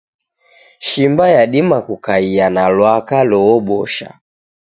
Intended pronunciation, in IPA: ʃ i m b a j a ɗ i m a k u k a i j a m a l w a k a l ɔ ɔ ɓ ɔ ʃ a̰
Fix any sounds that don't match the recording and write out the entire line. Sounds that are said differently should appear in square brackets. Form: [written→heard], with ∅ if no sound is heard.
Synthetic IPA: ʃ i m b a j a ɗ i m a k u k a i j a [m→n] a l w a k a l ɔ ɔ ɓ ɔ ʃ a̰